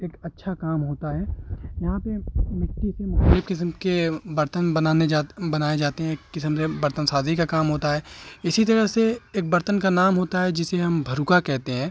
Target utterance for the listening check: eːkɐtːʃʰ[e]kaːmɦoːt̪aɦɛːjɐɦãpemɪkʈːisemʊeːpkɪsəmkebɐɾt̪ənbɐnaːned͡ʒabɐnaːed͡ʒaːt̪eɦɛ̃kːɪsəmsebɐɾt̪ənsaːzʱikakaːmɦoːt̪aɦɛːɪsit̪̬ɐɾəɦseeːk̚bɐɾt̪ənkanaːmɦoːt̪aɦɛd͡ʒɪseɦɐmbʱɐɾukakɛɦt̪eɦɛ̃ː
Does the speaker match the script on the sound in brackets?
no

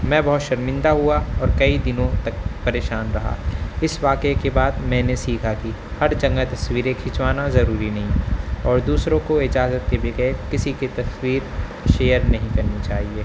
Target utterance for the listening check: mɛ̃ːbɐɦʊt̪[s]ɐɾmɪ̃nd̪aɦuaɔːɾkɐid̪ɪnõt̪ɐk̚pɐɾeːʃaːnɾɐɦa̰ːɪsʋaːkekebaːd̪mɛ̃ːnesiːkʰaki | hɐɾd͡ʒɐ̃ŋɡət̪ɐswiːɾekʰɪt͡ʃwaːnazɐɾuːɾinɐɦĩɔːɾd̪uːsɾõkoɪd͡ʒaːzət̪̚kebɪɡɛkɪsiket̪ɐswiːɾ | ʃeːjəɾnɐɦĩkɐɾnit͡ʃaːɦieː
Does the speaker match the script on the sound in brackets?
no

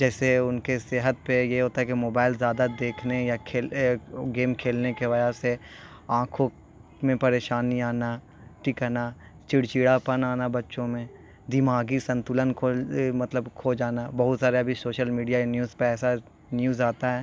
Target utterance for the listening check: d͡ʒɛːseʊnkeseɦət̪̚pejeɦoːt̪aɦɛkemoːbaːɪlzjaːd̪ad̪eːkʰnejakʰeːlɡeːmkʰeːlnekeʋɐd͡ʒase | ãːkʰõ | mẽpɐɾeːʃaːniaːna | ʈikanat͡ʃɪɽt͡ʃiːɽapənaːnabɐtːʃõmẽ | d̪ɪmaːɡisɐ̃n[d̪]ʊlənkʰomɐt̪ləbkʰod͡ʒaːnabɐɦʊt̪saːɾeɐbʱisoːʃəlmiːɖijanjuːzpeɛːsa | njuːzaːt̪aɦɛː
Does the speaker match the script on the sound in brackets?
no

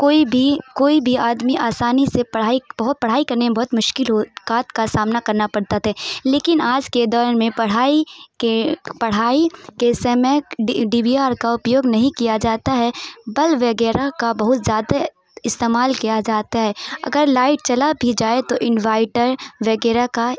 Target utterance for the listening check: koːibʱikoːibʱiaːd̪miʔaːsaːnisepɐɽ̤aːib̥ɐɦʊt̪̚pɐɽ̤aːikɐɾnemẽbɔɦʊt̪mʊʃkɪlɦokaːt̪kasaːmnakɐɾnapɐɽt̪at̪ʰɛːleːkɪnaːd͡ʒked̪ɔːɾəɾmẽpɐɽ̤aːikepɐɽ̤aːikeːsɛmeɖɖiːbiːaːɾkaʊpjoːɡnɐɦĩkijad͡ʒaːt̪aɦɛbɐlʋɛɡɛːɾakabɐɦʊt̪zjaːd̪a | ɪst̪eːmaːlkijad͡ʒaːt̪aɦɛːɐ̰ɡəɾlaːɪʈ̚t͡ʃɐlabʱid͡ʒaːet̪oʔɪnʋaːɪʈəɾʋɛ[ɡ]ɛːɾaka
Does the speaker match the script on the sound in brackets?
yes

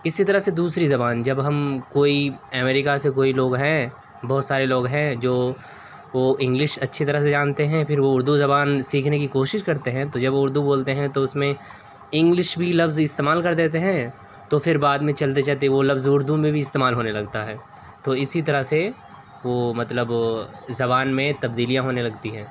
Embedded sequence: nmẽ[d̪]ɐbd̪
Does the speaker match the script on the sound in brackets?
no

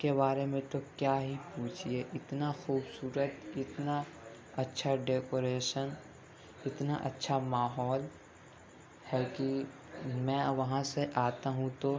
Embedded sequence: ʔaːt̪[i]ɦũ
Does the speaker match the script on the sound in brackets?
no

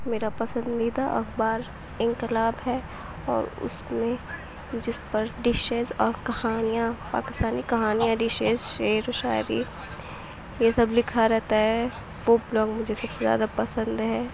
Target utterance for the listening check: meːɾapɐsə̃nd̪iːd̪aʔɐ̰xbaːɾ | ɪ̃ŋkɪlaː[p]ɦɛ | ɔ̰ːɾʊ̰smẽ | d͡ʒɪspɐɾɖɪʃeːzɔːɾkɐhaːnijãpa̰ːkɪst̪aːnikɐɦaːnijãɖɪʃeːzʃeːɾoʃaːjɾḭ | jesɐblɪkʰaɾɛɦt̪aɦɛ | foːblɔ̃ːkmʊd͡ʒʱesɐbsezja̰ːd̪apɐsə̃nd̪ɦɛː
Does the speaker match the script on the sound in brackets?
no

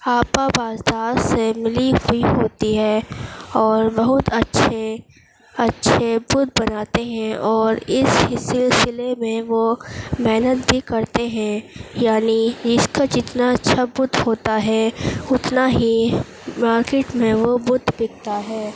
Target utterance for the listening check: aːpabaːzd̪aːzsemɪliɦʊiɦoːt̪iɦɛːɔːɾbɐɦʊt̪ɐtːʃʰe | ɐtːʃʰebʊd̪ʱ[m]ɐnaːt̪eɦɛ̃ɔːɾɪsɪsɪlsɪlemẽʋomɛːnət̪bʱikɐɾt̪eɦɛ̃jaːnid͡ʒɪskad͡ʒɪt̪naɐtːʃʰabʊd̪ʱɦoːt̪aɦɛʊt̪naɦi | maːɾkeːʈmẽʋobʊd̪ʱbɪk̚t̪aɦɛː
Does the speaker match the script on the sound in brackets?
no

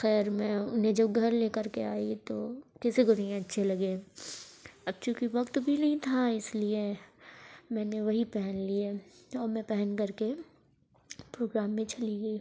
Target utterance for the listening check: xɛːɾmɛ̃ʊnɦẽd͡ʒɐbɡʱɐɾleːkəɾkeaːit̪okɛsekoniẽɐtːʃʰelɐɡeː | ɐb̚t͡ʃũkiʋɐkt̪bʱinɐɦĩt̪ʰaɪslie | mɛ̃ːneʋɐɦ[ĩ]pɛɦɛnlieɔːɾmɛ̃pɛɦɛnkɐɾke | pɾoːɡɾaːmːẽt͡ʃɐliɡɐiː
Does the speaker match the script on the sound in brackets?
no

